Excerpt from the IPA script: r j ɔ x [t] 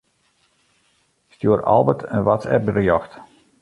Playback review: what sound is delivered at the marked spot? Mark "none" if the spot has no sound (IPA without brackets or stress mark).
t